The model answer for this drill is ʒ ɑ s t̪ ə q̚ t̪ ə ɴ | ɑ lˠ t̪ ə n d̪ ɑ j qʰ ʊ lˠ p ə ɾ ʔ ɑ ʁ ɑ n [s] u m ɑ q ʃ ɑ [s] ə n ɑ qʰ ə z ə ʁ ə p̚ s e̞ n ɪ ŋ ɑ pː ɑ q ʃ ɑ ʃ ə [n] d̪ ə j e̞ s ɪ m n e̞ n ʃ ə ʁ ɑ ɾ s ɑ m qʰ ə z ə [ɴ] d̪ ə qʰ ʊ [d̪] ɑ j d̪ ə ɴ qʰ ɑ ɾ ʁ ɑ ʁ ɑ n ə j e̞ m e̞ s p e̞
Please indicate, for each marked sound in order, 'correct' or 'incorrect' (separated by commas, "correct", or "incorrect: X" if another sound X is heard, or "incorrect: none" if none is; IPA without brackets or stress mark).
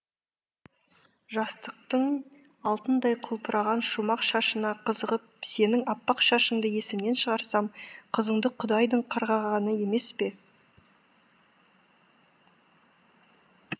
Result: incorrect: ʃ, incorrect: ʃ, incorrect: ɴ, correct, correct